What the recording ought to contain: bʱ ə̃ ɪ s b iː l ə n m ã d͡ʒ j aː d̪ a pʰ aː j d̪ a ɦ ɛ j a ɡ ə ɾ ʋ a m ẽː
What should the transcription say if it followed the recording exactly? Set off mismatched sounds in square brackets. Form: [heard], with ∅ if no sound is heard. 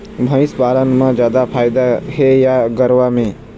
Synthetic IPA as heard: bʱ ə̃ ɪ s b [aː] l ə n m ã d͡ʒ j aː d̪ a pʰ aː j d̪ a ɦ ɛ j a ɡ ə ɾ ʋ a m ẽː